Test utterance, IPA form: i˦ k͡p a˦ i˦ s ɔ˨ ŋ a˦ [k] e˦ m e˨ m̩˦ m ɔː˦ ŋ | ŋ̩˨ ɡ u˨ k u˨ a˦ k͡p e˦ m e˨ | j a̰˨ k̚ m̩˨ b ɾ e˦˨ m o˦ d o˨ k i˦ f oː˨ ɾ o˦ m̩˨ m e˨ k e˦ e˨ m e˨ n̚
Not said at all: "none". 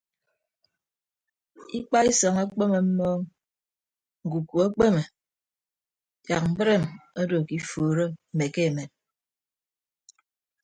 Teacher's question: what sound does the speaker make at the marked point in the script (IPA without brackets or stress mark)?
k͡p